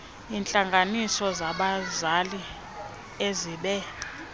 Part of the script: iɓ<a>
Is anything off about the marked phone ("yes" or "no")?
yes